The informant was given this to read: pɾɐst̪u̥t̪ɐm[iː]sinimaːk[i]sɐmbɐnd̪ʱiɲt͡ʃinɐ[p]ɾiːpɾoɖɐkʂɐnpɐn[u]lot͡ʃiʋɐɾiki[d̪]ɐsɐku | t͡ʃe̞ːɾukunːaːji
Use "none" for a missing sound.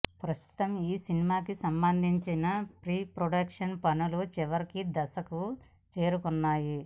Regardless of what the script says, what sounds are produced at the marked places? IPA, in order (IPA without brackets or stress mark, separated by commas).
iː, i, p, u, d̪